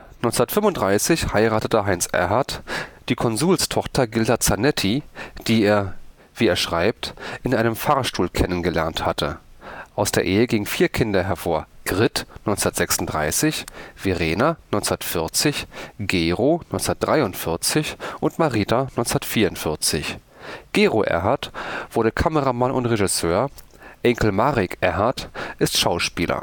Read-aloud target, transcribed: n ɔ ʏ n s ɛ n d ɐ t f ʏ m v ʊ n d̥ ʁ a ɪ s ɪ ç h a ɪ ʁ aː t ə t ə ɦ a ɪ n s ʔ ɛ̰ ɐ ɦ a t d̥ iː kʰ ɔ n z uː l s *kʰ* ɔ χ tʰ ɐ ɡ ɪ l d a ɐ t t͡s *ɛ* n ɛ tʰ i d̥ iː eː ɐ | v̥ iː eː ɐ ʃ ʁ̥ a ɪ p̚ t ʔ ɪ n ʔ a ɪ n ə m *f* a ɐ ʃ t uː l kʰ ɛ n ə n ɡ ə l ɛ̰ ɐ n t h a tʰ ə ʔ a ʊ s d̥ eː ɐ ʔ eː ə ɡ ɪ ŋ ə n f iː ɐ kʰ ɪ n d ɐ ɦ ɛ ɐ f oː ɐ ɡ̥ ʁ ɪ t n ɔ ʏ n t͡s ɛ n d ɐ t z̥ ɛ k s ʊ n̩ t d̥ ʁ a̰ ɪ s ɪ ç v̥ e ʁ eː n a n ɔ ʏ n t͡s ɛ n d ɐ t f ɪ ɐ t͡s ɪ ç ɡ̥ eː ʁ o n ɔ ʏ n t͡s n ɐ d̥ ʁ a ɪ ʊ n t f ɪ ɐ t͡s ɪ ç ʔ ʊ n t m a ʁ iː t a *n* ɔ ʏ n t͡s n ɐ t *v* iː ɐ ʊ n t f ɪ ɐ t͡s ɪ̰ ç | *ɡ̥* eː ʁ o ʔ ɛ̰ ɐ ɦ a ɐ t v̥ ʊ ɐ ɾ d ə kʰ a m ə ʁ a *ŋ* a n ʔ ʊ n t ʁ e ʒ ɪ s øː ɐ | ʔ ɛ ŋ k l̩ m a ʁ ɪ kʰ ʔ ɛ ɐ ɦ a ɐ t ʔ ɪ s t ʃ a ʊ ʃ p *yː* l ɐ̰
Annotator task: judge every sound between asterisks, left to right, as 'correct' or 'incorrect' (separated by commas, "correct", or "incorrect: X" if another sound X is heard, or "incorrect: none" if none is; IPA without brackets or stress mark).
incorrect: tʰ, incorrect: a, correct, correct, incorrect: f, correct, incorrect: m, incorrect: iː